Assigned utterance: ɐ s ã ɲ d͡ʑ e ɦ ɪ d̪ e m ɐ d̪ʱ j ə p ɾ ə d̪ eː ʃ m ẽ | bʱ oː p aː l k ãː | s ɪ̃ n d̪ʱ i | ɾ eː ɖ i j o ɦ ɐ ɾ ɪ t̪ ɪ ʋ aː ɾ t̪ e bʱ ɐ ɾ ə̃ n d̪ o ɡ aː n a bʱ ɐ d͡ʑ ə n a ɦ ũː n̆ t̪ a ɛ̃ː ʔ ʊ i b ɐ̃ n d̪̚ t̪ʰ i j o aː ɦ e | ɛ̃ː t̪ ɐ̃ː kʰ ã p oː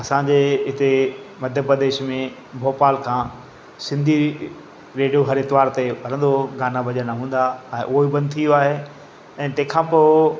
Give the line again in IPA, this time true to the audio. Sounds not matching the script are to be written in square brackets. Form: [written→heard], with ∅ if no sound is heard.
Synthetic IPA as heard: ɐ s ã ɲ d͡ʑ e ɦ ɪ [d̪→t̪] e m ɐ d̪ʱ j ə p ɾ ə d̪ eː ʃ m ẽ | bʱ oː p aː l [k→kʰ] ãː | s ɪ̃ n d̪ʱ i | ɾ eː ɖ i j o ɦ ɐ ɾ ɪ t̪ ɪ ʋ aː ɾ t̪ e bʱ ɐ ɾ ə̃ n d̪ o ɡ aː n a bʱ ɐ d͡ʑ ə n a ɦ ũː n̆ [t̪→d̪] a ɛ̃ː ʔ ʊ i b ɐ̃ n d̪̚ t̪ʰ i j o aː ɦ e | ɛ̃ː t̪ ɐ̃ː kʰ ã p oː